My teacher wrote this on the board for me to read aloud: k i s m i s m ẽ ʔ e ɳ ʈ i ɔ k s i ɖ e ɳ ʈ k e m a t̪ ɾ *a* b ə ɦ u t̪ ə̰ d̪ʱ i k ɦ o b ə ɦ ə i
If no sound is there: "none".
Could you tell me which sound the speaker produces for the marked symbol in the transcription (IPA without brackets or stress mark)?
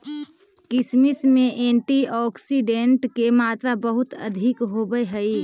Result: a